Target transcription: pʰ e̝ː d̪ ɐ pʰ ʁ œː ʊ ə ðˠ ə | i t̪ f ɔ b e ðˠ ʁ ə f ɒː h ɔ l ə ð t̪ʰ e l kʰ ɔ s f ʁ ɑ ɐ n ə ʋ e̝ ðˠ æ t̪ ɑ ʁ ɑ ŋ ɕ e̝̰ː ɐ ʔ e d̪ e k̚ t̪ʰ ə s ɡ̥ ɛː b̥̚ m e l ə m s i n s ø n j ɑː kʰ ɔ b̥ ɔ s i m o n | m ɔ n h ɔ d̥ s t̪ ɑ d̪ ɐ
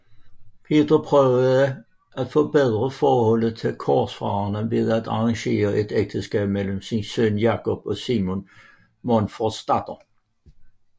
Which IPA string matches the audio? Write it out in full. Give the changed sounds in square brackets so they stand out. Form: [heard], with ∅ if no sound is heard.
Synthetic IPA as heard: pʰ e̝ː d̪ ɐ pʰ ʁ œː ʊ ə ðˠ ə | [æ] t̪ f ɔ b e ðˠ ʁ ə f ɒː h ɔ l ə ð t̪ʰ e l kʰ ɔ s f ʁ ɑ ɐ n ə ʋ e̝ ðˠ æ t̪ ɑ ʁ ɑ ŋ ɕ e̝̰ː ɐ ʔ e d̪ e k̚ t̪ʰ ə s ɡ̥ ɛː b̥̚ m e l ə m s i n s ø n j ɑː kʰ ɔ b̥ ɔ s i m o n | m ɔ n [f] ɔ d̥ s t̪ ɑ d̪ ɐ